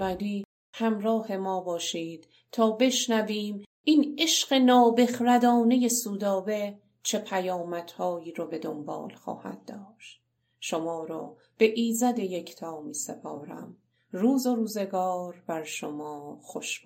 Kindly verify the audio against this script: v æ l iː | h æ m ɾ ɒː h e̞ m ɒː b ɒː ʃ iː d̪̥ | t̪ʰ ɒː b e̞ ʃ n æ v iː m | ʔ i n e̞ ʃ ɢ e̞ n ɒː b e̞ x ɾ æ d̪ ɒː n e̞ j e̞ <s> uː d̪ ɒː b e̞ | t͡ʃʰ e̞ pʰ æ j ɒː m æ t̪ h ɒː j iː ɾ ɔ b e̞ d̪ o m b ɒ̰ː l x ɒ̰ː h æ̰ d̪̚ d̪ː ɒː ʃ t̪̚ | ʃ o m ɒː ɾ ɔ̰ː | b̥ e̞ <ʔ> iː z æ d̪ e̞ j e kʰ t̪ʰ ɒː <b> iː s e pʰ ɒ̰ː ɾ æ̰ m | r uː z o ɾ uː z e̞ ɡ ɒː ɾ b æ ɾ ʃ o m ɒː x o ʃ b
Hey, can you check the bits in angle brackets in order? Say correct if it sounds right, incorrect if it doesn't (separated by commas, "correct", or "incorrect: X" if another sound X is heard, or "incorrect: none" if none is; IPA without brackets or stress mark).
correct, correct, incorrect: m